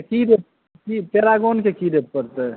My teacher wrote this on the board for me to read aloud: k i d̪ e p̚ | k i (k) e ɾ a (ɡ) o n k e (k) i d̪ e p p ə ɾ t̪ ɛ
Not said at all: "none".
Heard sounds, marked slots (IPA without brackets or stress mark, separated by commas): p, ɡ, k